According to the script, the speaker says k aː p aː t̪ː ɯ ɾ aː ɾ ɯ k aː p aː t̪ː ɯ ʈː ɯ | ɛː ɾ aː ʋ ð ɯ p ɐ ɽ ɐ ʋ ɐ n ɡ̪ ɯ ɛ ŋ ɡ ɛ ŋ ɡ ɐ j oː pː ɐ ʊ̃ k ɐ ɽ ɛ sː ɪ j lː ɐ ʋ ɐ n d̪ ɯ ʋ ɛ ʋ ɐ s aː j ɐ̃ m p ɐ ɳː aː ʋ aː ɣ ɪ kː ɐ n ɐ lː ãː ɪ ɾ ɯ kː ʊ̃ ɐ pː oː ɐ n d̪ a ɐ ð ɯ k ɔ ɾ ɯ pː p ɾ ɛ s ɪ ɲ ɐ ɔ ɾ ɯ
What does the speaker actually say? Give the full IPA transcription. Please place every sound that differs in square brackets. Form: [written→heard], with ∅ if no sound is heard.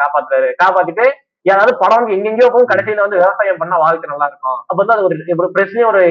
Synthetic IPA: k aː p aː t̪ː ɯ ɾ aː ɾ ɯ k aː p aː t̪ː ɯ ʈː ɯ | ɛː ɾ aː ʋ ð ɯ p ɐ ɽ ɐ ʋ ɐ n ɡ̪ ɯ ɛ ŋ ɡ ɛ ŋ ɡ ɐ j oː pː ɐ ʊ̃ k ɐ ɽ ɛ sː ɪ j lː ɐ ʋ ɐ n d̪ ɯ ʋ ɛ ʋ ɐ s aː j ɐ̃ m p ɐ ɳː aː ʋ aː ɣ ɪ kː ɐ n ɐ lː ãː ɪ ɾ ɯ kː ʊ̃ ɐ pː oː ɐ n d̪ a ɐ ð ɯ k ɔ ɾ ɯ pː p ɾ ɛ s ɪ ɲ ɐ ɔ ɾ ɯ